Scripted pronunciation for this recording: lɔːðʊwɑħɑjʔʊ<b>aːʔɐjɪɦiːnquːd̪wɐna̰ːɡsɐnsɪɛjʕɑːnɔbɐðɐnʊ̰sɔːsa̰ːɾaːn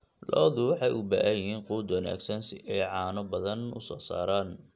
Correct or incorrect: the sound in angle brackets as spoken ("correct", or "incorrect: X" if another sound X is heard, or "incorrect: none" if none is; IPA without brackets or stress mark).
correct